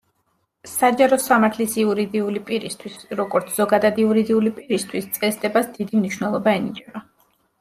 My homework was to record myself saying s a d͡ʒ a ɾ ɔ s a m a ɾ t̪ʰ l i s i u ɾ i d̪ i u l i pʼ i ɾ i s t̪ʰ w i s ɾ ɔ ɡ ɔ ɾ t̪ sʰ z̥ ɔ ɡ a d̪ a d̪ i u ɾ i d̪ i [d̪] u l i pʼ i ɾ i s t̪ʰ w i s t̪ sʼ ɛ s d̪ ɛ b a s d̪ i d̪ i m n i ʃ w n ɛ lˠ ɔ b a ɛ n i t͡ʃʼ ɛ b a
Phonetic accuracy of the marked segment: incorrect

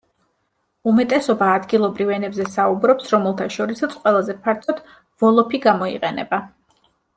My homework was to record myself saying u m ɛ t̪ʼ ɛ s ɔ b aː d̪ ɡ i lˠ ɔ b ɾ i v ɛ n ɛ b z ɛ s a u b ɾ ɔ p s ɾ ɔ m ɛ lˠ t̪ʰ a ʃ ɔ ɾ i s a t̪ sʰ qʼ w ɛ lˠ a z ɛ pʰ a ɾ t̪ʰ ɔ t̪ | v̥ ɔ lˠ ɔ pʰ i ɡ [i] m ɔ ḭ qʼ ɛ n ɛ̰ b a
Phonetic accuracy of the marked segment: incorrect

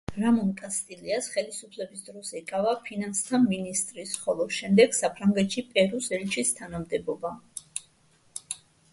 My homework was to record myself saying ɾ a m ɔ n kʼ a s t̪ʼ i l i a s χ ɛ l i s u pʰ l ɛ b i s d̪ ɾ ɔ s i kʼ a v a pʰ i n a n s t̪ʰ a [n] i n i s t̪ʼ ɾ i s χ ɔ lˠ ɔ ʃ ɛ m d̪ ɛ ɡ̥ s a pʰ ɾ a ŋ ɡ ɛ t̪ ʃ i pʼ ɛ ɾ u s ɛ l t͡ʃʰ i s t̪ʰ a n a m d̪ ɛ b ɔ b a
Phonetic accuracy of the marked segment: incorrect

